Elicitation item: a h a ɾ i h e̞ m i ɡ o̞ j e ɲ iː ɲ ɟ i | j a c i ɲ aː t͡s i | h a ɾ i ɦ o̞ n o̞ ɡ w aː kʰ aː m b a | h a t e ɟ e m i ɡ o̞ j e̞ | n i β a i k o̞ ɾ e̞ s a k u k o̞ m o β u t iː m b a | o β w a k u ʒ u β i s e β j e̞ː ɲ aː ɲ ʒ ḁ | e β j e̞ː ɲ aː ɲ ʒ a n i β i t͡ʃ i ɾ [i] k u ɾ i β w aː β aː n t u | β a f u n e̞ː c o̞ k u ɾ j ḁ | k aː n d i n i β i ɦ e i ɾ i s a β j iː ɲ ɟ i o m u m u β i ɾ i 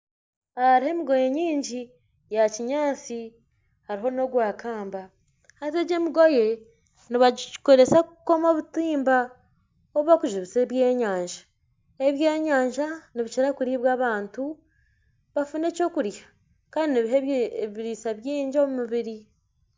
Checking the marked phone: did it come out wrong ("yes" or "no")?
yes